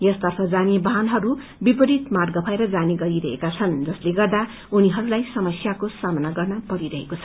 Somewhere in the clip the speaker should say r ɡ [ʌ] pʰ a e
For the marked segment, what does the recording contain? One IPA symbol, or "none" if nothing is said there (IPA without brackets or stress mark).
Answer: ʌ